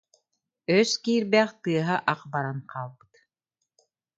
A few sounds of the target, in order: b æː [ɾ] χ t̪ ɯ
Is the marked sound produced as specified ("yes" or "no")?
no